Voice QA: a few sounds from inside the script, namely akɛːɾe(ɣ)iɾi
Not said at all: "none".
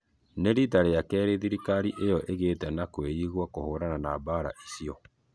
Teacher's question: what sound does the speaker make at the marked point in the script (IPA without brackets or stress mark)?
ð